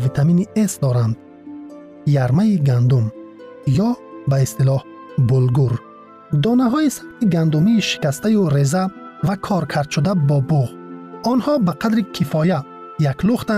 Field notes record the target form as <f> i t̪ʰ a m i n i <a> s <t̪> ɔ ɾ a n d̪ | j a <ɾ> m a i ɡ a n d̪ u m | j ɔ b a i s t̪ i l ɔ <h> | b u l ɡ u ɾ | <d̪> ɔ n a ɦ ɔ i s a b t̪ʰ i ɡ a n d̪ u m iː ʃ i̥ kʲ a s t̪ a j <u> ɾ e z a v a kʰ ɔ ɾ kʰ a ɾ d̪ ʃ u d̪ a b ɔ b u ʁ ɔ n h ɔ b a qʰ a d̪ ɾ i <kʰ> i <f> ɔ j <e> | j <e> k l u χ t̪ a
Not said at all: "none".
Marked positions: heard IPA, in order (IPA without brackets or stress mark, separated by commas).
v, e, d̪, ɾ, h, d̪, u, kʰ, f, a, a